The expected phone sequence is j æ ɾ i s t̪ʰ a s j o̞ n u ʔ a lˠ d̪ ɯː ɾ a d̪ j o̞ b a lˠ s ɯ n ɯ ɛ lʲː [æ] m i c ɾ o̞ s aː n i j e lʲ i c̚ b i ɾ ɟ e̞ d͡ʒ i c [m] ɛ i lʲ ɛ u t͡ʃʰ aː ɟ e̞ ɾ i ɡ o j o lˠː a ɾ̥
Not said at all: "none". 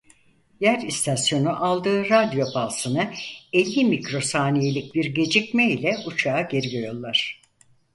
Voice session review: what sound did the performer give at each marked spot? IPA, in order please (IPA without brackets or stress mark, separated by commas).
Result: i, m